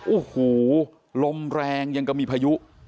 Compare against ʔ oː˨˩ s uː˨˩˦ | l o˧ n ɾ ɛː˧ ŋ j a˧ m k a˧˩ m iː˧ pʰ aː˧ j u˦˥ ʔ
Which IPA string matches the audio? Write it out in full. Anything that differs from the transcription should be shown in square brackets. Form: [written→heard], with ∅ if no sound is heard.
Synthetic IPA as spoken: ʔ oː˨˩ [s→h] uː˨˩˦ | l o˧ [n→m] ɾ ɛː˧ ŋ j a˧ [m→ŋ] k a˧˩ m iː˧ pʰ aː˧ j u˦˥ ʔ